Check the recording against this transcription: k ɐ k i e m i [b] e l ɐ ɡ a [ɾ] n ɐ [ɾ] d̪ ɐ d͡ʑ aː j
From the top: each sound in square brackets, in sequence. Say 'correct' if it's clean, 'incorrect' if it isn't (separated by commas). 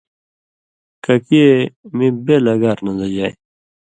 correct, correct, incorrect